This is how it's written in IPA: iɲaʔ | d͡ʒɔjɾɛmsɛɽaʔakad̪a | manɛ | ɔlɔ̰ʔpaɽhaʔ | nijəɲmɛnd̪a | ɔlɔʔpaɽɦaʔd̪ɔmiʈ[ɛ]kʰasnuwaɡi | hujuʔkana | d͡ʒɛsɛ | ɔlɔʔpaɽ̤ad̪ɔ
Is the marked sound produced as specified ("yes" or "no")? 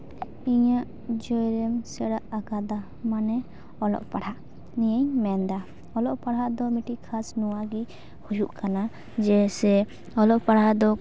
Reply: no